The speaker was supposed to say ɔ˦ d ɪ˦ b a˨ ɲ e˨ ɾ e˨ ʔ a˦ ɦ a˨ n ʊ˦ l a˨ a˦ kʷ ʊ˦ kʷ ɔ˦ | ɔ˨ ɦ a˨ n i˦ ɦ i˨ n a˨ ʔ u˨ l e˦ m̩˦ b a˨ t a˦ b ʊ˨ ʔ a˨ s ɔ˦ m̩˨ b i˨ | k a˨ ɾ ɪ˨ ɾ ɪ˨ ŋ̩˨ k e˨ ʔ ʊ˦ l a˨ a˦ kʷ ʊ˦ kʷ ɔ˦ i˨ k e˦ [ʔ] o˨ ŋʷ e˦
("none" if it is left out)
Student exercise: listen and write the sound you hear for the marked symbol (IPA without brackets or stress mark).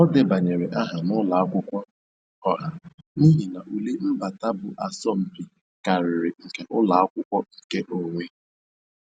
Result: ʔ